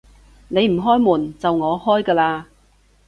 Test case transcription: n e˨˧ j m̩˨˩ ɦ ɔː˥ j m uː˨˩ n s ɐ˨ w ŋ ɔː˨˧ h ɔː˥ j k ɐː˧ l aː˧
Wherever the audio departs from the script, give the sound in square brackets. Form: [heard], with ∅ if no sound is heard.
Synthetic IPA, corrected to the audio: n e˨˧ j m̩˨˩ ɦ ɔː˥ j m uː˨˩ n [t͡s] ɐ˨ w ŋ ɔː˨˧ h ɔː˥ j k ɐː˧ l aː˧